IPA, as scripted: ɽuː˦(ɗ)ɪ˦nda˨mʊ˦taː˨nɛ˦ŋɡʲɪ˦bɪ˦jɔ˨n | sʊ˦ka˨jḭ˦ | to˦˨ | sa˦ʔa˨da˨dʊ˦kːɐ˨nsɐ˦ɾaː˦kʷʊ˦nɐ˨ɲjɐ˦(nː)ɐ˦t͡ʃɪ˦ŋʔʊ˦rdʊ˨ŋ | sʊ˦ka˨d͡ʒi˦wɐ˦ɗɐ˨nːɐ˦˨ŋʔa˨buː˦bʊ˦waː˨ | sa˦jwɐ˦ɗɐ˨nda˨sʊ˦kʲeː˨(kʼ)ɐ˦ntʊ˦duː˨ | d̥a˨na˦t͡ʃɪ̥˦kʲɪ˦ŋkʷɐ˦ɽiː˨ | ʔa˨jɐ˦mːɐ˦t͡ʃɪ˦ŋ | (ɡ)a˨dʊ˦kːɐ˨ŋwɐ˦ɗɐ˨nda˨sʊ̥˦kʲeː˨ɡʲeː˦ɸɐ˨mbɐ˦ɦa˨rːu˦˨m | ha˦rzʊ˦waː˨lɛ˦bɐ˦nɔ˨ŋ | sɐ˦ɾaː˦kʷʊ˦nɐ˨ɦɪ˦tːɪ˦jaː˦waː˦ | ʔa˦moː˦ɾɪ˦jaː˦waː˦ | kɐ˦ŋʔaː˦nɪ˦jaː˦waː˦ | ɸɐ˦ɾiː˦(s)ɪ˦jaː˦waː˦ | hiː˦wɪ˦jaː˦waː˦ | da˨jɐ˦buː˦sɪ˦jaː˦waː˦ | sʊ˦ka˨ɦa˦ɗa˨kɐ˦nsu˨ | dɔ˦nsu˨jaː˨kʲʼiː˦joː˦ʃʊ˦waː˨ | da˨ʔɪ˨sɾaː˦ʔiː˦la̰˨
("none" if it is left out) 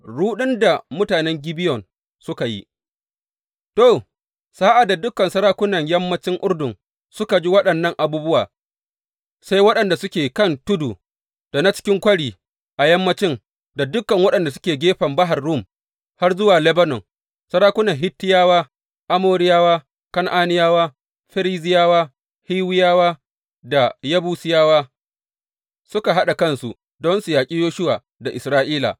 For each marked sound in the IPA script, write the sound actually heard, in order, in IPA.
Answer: ɗ, mː, k, d, z

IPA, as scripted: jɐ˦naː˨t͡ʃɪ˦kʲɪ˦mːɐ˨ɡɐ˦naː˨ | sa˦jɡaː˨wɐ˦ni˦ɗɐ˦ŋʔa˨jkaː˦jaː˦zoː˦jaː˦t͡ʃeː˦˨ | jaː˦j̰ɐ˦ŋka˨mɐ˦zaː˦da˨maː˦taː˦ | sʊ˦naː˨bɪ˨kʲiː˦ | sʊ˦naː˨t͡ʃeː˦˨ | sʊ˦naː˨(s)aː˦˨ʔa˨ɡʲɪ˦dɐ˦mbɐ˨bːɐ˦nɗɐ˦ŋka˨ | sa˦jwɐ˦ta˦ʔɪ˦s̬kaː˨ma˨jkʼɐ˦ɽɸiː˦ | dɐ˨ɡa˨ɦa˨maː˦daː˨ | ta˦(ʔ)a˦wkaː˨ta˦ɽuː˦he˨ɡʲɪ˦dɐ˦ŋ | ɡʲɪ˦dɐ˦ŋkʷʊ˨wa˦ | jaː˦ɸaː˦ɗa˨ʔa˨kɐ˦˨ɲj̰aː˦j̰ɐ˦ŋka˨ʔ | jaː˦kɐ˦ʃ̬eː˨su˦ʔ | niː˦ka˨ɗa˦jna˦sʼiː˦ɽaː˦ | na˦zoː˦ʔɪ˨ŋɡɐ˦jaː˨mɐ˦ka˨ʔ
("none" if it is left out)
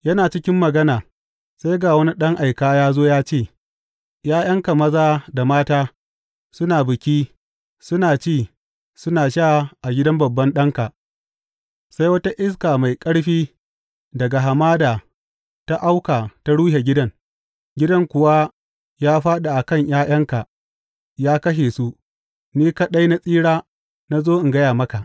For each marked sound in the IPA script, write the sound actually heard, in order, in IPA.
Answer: ʃ, ʔ

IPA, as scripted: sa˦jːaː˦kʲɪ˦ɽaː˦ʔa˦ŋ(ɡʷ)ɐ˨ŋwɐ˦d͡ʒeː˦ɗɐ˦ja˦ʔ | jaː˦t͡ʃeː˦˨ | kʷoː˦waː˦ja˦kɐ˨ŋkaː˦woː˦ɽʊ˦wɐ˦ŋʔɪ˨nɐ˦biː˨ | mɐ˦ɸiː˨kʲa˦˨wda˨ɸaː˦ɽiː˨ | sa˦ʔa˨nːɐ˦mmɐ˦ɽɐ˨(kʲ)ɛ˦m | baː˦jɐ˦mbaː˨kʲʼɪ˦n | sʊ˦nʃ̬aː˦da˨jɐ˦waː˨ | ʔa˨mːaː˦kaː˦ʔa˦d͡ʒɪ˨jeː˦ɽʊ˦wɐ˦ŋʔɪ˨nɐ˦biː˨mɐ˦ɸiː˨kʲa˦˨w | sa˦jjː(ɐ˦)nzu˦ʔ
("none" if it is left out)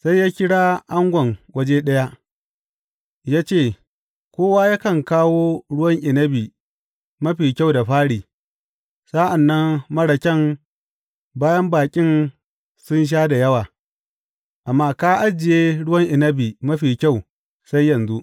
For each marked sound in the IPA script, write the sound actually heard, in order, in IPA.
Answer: ɡʷ, kʲ, ɐ˨

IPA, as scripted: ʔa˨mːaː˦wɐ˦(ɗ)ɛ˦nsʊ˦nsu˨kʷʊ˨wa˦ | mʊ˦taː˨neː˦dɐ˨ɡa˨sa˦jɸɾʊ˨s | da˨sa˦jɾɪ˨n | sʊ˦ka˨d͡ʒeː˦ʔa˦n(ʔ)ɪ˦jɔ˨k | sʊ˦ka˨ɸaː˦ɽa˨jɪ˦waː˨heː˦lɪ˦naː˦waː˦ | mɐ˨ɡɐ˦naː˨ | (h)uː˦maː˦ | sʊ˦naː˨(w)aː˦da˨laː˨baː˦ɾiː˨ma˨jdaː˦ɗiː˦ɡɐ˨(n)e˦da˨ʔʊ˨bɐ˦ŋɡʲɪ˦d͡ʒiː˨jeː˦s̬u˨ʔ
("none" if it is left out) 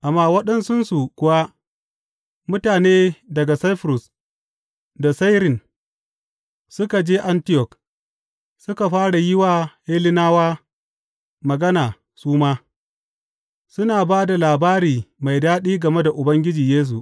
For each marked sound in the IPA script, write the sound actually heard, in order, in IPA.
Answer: ɗ, t, s, b, m

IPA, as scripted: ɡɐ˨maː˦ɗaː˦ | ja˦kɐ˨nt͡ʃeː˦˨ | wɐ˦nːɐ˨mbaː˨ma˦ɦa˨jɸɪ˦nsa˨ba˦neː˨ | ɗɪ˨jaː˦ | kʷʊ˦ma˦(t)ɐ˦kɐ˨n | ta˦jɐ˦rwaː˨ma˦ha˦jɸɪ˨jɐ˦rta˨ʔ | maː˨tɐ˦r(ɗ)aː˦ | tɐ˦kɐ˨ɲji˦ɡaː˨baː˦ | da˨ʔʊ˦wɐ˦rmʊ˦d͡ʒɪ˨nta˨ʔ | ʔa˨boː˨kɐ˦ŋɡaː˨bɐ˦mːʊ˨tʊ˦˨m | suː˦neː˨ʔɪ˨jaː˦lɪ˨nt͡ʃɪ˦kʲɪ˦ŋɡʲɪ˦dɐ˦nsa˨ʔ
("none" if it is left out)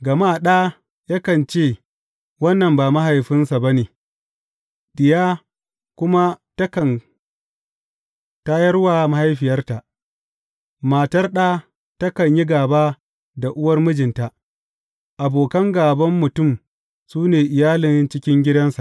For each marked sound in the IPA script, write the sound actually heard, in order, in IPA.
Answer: t, ɗ

